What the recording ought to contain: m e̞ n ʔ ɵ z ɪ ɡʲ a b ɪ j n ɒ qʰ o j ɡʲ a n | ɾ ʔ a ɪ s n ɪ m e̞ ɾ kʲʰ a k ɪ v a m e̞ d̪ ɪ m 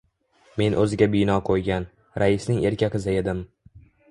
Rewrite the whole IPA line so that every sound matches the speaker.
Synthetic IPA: m e̞ n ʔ ɵ z ɪ ɡʲ a b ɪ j n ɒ qʰ o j ɡʲ a n | ɾ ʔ a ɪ s n ɪ ŋ e̞ ɾ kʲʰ a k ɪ z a e̞ d̪ ɪ m